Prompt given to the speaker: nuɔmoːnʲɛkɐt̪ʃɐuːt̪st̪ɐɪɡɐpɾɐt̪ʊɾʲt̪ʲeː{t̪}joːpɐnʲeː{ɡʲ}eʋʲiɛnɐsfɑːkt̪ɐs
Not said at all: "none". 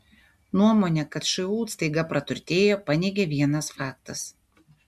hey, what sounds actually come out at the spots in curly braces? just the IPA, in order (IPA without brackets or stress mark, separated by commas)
none, ɡʲ